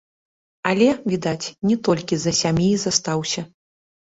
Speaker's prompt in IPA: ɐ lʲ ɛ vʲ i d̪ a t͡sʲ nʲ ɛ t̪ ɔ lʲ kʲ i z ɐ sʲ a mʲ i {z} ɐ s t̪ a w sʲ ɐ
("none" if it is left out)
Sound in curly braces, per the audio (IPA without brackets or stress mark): z